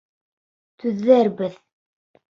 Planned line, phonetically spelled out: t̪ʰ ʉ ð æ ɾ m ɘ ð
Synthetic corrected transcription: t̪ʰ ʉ ðː æ ɾ b ɘ ð